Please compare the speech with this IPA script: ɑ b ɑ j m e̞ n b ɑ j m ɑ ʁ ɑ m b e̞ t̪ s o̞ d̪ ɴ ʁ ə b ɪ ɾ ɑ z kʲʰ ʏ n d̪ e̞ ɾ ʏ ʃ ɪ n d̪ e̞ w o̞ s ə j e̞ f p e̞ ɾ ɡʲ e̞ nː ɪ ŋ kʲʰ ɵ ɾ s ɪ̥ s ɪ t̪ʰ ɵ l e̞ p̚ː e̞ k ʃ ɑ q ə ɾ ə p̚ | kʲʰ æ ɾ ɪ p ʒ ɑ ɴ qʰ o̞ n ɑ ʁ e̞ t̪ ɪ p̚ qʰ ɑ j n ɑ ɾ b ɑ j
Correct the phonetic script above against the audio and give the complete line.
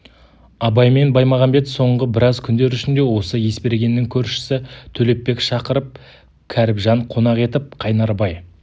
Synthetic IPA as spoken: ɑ b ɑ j m e̞ n b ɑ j m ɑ ʁ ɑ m b e̞ t̪ s o̞ ɴ ʁ ə b ɪ ɾ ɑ z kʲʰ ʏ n d̪ e̞ ɾ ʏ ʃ ɪ n d̪ e̞ w o̞ s ə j e̞ s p e̞ ɾ ɡʲ e̞ nː ɪ ŋ kʲʰ ɵ ɾ ʃ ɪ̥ s ɪ t̪ʰ ɵ l e̞ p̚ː e̞ k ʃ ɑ q ə ɾ ə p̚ | kʲʰ æ ɾ ɪ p ʒ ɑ ɴ qʰ o̞ n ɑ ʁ e̞ t̪ ɪ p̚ qʰ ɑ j n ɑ ɾ b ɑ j